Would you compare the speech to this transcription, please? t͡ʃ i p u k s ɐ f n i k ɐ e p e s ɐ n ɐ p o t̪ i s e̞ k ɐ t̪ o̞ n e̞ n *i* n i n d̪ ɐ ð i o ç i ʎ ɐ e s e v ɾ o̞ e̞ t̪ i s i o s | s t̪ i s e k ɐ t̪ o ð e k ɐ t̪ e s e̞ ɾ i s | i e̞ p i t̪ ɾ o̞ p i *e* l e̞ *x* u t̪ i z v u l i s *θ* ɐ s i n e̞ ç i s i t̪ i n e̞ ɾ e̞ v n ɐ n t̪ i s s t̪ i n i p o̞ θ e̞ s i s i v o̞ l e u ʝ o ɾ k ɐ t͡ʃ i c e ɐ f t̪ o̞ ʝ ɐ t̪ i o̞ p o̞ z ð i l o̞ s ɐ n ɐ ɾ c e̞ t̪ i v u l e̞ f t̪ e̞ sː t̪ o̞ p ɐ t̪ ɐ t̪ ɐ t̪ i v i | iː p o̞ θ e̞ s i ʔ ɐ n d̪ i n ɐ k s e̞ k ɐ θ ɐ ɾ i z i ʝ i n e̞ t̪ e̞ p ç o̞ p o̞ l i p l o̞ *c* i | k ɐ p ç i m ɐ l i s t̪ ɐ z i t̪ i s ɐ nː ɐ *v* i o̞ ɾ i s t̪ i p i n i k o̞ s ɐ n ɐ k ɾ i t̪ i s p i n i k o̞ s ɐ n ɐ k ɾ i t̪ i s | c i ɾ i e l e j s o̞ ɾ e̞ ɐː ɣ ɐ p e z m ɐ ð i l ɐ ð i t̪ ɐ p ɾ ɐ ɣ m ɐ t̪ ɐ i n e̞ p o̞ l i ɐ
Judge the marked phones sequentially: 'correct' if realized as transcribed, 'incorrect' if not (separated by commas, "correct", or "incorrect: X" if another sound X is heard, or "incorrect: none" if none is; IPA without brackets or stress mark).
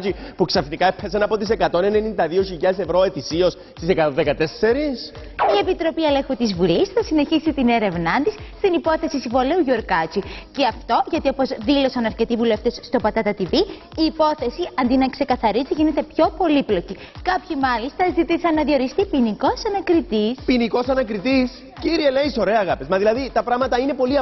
incorrect: e, correct, correct, correct, correct, incorrect: ð